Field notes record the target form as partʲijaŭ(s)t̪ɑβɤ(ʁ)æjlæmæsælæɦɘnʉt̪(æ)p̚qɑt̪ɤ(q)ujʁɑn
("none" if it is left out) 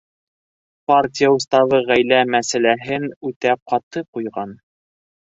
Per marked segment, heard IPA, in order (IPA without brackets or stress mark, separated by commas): s, ʁ, æ, q